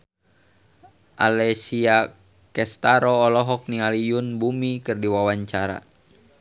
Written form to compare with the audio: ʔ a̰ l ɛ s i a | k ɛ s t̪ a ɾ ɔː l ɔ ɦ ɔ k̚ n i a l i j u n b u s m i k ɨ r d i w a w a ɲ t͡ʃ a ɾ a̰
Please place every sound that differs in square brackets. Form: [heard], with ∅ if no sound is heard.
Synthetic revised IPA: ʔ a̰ l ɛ s i a | k ɛ s t̪ a ɾ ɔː l ɔ ɦ ɔ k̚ n i a l i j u n b u [∅] m i k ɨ r d i w a w a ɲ t͡ʃ a ɾ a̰